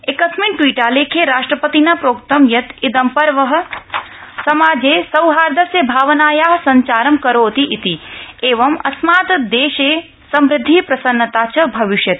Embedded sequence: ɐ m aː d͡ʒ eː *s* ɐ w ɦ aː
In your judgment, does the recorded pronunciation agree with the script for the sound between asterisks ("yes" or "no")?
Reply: yes